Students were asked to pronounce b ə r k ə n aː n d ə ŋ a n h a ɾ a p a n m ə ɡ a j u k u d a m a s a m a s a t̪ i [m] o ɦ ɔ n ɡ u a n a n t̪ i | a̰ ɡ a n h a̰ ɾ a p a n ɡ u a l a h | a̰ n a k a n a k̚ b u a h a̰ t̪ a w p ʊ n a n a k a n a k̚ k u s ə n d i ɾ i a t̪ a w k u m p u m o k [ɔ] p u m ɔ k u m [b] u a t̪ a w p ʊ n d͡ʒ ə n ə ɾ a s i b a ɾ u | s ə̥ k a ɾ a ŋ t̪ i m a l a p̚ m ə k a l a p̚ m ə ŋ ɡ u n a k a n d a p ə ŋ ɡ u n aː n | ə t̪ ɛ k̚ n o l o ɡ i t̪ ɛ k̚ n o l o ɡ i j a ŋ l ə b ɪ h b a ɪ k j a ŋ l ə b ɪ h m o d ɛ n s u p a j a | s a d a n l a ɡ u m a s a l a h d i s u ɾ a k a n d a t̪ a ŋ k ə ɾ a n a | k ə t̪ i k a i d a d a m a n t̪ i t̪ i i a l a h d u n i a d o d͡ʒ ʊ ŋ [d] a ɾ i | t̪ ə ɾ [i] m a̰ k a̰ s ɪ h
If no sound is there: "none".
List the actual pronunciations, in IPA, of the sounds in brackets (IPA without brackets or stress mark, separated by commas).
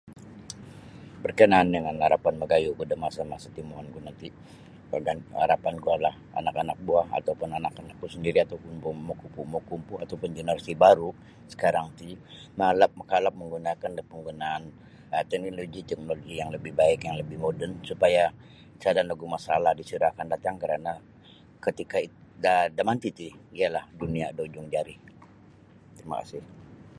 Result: m, u, p, d͡ʒ, i